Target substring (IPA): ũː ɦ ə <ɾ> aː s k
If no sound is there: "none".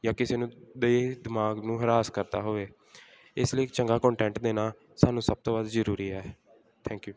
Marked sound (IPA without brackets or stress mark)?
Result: ɾ